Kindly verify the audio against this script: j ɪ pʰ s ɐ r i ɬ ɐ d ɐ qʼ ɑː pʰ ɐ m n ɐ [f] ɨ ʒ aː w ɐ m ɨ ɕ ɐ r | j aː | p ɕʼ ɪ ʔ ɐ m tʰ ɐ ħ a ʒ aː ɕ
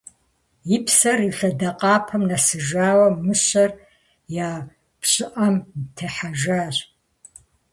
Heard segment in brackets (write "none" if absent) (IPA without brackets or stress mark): s